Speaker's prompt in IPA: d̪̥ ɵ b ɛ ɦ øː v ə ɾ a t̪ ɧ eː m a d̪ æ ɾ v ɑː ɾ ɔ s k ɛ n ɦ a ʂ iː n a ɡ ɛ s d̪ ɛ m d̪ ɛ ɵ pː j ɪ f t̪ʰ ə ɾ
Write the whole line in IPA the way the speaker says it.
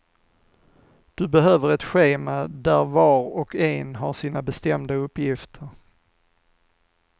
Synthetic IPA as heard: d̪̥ ɵ b ɛ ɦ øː v ə ɾ ɛ t̪ ɧ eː m a d̪ æ ɾ v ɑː ɾ ɔ k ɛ n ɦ a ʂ iː n a b ɛ s t̪ ɛ m d̪ a ɵ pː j ɪ f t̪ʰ ə ɾ